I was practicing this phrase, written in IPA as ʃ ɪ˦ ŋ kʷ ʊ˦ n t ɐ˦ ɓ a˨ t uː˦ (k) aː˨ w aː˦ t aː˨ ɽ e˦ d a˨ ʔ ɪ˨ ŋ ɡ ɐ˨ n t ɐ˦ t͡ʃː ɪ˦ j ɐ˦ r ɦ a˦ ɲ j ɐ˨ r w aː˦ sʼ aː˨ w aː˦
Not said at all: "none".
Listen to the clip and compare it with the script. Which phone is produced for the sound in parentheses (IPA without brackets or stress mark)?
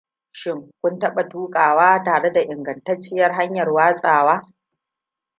kʼ